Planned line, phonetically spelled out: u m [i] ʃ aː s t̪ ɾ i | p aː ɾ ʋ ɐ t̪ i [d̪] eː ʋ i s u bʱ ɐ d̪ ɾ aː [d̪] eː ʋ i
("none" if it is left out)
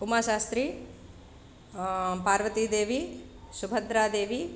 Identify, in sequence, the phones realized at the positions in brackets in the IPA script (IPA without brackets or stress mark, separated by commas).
a, d̪, d̪